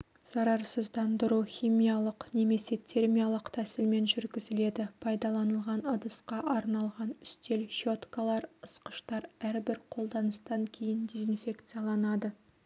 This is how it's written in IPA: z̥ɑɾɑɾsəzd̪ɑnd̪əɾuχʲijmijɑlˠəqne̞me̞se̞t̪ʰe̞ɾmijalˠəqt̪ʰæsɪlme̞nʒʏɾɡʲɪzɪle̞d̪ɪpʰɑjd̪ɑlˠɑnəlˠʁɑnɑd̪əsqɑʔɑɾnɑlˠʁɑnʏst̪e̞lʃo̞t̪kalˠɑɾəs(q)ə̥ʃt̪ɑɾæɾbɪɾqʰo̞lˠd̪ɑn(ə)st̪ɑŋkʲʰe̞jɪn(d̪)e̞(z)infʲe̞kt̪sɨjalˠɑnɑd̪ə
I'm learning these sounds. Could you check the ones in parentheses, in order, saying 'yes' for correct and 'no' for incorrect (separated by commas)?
yes, yes, yes, yes